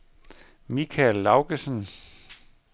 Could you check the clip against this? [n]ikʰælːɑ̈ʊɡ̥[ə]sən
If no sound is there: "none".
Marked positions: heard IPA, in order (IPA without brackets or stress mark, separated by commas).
m, ə